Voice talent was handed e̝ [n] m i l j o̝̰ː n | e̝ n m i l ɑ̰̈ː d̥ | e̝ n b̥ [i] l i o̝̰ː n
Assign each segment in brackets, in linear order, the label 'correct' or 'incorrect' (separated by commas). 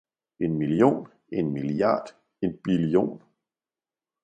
correct, correct